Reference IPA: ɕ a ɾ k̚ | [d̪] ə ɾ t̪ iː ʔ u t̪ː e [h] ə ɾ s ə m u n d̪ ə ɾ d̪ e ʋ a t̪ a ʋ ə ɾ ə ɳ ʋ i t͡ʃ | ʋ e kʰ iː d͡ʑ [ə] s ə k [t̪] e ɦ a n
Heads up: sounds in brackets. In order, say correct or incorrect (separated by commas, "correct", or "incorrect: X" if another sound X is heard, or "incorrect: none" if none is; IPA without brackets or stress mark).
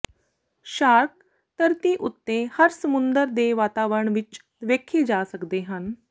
incorrect: t̪, correct, incorrect: a, incorrect: d̪